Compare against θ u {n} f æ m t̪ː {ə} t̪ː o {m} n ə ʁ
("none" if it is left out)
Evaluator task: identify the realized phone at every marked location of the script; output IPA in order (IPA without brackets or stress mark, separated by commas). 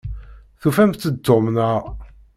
none, ə, m